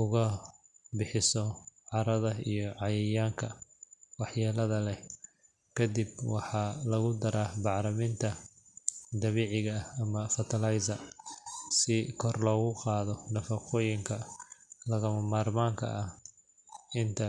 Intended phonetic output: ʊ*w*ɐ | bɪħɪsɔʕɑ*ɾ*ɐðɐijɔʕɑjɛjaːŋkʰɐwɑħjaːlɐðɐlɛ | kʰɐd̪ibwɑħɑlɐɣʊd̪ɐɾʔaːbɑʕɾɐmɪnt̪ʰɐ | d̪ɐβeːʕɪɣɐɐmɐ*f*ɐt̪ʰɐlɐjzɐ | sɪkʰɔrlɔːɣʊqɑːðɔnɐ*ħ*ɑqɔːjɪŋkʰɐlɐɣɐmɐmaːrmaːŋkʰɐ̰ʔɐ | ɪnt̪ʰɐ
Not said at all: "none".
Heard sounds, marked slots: ɣ, ɾ, f, f

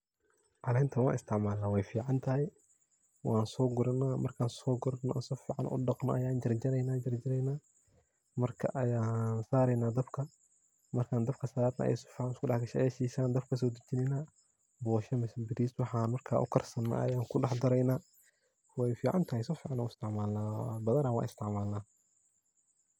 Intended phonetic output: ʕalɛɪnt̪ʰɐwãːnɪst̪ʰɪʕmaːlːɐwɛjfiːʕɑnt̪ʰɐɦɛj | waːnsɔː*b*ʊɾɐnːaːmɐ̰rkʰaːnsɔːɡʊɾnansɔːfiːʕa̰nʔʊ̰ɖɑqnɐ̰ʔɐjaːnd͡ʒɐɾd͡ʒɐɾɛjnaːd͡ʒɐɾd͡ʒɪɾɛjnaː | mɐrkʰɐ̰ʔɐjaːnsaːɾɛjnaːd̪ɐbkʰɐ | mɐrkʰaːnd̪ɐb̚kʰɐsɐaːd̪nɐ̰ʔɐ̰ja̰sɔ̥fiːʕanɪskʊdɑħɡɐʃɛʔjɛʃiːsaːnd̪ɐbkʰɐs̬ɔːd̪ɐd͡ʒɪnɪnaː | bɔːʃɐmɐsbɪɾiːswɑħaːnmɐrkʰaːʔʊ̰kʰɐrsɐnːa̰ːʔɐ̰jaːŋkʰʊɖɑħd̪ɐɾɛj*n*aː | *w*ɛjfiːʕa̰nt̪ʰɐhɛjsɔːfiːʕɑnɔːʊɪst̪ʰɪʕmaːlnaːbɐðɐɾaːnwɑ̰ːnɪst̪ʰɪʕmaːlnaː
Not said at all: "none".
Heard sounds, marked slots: ɡ, n, w

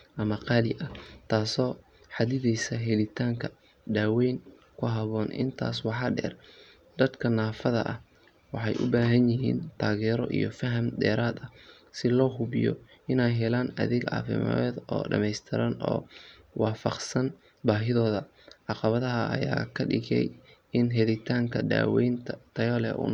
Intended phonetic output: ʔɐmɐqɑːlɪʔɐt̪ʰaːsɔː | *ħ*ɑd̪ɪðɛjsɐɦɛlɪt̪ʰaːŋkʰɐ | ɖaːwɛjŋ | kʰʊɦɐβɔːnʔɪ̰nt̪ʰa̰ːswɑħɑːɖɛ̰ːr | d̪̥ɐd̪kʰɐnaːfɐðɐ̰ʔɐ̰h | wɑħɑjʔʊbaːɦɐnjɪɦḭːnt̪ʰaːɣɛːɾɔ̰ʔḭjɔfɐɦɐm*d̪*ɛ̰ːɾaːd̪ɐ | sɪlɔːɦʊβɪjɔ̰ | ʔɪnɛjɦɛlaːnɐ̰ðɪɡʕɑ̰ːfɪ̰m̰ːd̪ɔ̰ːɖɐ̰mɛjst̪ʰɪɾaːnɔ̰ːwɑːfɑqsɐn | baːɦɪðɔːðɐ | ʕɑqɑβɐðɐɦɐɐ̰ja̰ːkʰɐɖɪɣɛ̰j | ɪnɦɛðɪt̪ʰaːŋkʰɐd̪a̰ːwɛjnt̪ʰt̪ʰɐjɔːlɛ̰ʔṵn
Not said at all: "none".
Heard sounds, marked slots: ħ, d̪

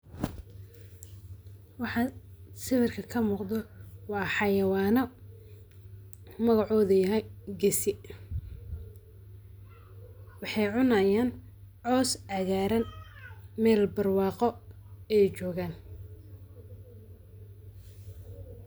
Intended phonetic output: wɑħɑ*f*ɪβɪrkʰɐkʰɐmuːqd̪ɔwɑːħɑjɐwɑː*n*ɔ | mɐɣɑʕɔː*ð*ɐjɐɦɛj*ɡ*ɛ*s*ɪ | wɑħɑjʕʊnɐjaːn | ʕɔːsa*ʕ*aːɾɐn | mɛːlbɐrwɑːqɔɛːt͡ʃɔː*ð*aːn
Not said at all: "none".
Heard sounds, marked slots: s, n, ð, ɡ, s, ɣ, ɣ

